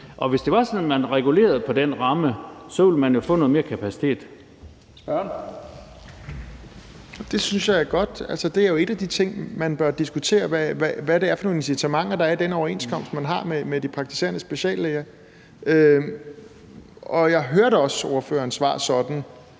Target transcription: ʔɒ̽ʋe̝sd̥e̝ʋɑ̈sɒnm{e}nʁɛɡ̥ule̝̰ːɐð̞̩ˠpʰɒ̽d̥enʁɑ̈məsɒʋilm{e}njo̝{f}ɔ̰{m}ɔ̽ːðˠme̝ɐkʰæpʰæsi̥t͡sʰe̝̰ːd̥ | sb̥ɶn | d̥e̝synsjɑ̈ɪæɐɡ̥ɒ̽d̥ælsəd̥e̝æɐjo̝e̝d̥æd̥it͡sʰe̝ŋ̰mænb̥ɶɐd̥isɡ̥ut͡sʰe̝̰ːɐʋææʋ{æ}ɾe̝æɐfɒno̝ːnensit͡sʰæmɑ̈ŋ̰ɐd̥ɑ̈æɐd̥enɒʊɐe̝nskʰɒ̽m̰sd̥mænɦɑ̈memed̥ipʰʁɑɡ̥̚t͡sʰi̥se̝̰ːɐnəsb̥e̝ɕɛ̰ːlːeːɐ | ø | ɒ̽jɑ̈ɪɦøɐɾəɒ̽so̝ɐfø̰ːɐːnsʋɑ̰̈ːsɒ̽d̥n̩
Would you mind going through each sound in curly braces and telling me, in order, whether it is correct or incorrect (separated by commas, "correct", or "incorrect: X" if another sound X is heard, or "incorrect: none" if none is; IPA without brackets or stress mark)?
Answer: incorrect: æ, incorrect: æ, correct, incorrect: n, correct